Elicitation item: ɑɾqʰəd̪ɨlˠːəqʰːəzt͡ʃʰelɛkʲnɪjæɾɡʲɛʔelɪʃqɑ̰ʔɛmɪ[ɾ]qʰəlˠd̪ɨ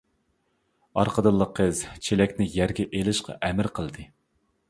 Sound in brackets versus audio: correct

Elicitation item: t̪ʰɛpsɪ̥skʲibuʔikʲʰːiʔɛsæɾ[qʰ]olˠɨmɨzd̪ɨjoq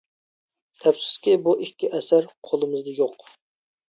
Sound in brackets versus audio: correct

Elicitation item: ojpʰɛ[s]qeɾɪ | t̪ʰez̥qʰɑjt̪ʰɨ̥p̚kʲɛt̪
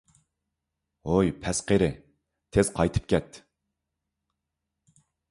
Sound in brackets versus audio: correct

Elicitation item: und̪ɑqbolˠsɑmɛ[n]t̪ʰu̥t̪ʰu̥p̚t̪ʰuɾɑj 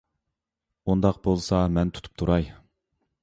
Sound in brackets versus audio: correct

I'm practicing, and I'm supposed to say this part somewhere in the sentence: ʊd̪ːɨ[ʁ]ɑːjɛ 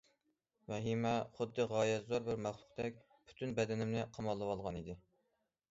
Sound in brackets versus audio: correct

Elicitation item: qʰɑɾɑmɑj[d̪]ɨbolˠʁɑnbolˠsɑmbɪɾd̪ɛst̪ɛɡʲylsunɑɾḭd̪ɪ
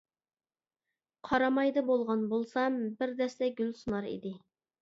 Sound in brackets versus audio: correct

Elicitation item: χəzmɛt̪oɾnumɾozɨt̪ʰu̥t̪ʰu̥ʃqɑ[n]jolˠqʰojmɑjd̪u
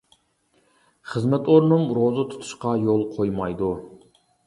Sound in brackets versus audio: incorrect: none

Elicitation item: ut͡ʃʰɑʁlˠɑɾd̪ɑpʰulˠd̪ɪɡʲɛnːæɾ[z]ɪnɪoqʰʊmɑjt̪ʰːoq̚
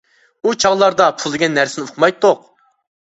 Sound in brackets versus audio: incorrect: s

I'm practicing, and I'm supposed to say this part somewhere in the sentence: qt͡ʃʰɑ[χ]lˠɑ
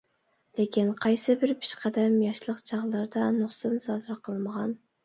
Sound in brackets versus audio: incorrect: ʁ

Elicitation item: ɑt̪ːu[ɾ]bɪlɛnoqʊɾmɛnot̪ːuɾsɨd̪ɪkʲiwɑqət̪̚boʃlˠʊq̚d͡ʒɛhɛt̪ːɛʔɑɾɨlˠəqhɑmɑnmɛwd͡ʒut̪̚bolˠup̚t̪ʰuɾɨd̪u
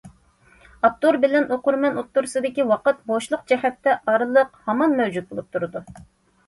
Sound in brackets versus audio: correct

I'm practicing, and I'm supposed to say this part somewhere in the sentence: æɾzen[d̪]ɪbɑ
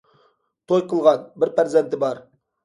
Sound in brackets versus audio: incorrect: t̪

